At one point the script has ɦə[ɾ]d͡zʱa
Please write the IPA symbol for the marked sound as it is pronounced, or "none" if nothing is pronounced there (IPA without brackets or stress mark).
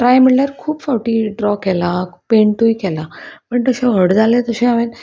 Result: ɽ